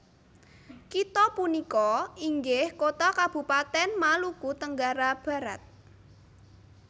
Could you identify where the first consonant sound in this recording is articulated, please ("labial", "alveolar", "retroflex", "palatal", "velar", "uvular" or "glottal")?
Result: velar